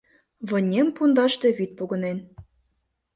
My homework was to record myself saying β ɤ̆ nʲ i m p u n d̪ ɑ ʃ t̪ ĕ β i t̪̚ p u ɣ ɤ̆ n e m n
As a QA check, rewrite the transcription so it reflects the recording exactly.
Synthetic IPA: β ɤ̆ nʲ e m p u n d̪ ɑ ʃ t̪ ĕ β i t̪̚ p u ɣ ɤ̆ n e n